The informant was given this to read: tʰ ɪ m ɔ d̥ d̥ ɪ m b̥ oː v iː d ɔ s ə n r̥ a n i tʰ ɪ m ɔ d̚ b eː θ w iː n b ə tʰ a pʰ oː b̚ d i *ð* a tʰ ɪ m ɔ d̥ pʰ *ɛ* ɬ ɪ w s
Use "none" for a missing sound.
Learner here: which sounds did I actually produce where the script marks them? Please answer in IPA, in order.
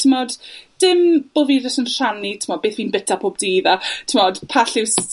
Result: ð, a

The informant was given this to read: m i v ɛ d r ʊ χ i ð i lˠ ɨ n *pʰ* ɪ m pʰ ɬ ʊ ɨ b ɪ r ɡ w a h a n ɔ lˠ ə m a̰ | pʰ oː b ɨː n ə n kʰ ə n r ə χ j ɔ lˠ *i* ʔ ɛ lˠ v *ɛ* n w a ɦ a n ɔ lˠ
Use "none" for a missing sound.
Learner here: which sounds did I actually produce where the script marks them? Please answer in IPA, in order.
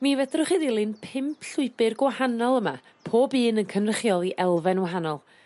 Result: pʰ, i, ɛ

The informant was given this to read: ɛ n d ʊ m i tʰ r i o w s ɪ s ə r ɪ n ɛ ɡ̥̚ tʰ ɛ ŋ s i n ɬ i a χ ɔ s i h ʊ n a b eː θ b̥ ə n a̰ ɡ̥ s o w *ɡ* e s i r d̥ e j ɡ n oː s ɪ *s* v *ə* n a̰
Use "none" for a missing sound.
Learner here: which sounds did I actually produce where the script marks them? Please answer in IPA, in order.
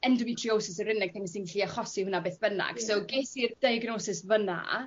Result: ɡ, s, ə

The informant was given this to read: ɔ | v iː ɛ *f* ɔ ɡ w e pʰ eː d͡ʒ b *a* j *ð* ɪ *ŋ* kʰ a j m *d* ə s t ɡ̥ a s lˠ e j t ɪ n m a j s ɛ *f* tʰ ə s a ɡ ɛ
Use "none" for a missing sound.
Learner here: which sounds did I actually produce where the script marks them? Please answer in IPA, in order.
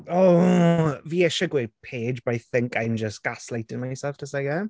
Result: ʃ, a, θ, ŋ, d͡ʒ, f

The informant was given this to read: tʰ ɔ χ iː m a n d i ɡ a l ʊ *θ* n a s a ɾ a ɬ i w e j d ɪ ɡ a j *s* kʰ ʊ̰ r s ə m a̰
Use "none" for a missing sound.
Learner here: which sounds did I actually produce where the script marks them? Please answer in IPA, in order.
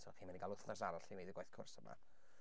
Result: θ, θ

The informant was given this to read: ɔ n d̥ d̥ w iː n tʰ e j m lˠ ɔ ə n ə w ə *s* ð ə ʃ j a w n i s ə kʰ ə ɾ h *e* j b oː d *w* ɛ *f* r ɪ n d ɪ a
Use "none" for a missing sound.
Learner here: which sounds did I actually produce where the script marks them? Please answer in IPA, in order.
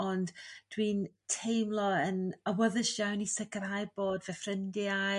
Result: none, a, v, f

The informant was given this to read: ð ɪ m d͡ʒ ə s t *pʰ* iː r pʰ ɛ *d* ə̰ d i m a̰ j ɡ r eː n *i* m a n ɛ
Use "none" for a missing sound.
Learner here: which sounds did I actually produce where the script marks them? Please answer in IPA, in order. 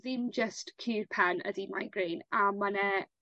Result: kʰ, n, a

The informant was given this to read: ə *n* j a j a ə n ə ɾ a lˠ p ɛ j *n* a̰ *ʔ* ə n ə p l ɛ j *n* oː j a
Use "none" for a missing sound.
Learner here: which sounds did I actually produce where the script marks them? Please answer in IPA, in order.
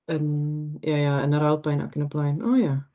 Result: n, n, k, n

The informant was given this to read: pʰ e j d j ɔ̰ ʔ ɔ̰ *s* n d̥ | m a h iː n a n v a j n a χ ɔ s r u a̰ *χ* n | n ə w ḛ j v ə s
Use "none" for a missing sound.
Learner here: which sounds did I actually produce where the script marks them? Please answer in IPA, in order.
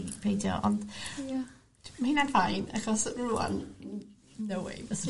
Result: none, none

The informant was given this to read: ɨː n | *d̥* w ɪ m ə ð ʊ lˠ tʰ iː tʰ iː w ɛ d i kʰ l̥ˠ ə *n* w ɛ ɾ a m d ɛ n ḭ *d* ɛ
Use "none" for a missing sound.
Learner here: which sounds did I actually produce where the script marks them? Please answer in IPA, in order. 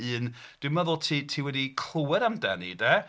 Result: d̥, none, d

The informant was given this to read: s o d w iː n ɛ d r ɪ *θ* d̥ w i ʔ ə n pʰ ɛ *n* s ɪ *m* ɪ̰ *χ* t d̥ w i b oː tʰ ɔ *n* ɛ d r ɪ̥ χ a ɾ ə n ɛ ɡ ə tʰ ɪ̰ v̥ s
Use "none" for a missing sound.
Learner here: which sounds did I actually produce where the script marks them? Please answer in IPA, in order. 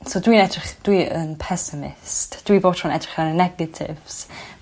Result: χ, none, m, s, n

